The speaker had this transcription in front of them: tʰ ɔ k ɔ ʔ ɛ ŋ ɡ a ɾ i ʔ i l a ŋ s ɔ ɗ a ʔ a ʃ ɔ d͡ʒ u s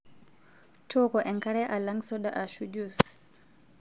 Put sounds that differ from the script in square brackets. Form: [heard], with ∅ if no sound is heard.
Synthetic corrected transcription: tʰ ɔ k ɔ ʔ ɛ ŋ [k] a ɾ [ɛ] ʔ [a] l a ŋ s ɔ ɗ a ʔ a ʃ [u] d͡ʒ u s